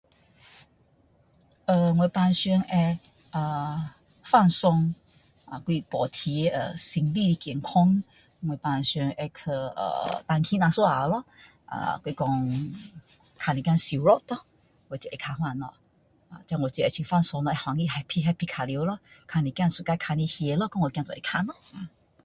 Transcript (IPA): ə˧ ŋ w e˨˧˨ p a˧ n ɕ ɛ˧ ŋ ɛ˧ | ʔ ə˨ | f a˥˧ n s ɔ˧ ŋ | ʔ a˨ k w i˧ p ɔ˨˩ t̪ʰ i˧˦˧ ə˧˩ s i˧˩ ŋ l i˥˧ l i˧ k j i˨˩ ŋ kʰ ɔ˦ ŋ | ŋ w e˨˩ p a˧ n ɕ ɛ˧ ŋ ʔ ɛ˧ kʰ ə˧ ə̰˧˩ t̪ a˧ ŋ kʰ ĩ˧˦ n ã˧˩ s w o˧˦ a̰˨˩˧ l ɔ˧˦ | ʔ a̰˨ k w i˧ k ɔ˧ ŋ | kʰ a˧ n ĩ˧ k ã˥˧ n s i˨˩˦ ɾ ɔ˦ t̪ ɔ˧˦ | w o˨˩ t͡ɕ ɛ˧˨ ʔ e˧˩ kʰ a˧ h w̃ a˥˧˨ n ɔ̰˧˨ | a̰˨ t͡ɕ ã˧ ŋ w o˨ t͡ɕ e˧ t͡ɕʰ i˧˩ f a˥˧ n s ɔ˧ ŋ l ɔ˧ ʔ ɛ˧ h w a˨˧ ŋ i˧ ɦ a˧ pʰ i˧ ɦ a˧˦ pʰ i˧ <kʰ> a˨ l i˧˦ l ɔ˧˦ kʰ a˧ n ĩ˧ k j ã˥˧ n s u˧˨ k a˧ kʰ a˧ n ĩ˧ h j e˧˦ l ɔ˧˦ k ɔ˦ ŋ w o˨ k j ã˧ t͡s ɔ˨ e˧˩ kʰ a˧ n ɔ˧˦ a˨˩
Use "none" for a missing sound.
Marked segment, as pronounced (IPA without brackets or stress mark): kʰ